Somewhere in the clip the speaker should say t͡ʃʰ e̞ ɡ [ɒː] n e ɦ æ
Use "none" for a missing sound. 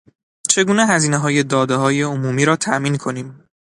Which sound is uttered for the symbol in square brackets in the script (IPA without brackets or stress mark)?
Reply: uː